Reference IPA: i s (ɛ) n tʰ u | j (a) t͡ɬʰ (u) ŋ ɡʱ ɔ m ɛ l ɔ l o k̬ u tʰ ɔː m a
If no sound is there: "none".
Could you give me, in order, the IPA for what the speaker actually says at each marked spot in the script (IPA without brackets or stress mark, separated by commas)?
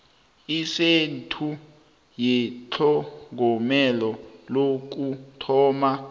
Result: e, ɛ, ɔ